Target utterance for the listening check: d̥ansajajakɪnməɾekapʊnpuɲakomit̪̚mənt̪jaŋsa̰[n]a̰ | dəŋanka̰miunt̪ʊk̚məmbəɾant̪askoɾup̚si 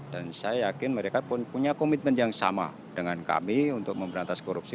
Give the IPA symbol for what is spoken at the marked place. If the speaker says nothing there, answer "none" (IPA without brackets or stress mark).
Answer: m